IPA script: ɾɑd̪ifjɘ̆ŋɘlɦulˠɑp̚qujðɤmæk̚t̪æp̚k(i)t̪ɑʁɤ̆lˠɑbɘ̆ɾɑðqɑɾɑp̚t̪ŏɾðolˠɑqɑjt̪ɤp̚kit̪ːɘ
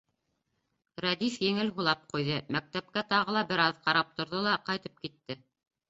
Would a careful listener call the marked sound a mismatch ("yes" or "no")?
yes